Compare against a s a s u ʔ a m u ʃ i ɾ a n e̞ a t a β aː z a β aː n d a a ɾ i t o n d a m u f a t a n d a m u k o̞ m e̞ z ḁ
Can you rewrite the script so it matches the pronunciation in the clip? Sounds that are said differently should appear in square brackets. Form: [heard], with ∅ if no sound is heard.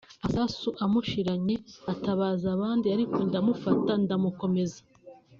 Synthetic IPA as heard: a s a s u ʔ a m u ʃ i ɾ a [ɲ] e̞ a t a β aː z a β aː n d [i] a ɾ i [k] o n d a m u f a t a n d a m u k o̞ m e̞ z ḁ